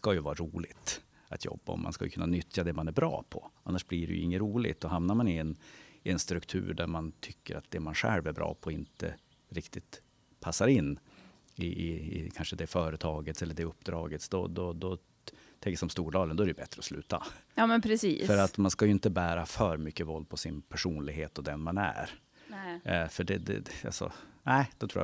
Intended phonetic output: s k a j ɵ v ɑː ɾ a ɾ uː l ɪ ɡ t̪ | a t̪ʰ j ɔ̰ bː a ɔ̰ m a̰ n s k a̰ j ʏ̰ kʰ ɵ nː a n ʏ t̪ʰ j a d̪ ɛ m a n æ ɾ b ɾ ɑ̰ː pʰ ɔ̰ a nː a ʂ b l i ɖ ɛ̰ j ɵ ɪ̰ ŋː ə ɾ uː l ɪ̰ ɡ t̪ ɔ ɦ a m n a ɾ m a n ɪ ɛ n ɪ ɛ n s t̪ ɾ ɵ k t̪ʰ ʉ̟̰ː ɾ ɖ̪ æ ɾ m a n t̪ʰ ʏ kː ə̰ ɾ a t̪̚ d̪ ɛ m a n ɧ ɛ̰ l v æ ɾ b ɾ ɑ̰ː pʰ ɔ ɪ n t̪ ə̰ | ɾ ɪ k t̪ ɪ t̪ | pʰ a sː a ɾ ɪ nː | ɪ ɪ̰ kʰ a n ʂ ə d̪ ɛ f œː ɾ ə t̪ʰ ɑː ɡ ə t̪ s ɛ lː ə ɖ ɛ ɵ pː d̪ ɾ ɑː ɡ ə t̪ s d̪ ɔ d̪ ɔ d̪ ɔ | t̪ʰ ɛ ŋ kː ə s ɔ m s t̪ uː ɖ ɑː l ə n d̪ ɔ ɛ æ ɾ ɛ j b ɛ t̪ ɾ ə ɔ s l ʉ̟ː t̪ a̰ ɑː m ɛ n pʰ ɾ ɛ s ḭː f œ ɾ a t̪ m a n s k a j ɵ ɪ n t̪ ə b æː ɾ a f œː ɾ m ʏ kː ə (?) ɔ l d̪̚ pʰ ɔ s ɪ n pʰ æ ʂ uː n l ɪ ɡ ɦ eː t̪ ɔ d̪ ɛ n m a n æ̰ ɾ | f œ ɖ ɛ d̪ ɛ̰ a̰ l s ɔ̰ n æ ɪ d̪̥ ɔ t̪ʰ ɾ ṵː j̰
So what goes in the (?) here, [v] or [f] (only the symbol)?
v